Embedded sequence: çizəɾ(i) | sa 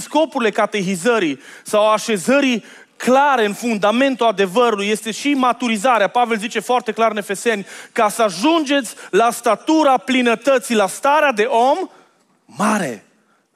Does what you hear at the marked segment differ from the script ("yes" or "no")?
no